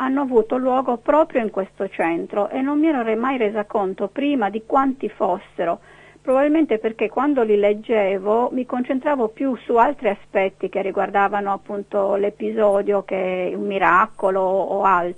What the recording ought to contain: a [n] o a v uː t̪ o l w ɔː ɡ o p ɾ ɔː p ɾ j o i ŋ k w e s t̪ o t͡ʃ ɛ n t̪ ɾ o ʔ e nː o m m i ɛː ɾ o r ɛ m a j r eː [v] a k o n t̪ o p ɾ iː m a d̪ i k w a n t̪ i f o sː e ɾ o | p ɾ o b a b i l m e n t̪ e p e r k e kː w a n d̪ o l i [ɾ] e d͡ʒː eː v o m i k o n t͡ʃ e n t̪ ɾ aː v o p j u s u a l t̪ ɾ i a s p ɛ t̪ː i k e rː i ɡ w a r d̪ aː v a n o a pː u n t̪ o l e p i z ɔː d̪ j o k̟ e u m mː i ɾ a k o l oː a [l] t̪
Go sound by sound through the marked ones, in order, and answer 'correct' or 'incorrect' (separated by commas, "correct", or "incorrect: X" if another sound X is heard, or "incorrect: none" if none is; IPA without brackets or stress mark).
incorrect: nː, incorrect: z, incorrect: l, correct